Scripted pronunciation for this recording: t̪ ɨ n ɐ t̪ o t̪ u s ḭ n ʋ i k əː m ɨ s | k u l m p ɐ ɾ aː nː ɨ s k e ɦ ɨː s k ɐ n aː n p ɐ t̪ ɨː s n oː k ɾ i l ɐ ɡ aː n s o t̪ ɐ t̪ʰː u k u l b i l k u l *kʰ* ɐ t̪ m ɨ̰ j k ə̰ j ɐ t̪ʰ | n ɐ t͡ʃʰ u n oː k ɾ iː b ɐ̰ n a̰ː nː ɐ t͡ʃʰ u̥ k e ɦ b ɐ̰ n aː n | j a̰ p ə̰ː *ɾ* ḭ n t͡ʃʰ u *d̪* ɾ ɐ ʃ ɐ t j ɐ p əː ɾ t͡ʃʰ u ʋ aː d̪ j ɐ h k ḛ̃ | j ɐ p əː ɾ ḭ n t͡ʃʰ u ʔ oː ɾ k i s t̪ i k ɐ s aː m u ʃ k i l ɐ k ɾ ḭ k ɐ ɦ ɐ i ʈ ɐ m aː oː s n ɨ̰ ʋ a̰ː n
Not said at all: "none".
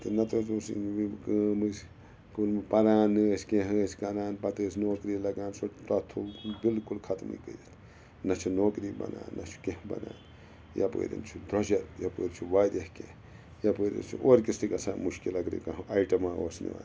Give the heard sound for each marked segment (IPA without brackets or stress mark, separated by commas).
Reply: kʰ, ɾ, d̪